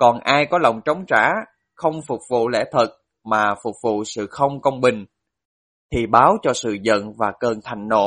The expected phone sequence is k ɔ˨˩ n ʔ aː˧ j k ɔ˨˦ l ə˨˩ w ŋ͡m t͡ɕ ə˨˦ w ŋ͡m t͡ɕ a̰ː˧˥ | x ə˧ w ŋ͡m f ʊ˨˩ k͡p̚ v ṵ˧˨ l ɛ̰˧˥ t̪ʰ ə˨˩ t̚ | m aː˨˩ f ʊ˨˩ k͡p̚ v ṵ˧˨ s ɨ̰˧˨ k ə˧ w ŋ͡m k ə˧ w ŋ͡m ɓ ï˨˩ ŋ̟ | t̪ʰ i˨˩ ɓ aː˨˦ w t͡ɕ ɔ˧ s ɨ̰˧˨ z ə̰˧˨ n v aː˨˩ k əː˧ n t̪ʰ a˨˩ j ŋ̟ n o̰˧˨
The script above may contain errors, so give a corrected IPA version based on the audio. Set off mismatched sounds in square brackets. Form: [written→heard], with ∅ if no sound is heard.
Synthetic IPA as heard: k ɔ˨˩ n ʔ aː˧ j k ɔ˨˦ l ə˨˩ w ŋ͡m t͡ɕ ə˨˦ w ŋ͡m t͡ɕ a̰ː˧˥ | x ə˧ w ŋ͡m f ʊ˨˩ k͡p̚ v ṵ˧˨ l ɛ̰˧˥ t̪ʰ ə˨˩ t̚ | m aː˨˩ f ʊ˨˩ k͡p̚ v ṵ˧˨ s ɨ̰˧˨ [k→x] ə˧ w ŋ͡m k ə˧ w ŋ͡m ɓ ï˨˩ ŋ̟ | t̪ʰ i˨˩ ɓ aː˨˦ w t͡ɕ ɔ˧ s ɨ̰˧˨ z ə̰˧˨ n v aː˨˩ k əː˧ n t̪ʰ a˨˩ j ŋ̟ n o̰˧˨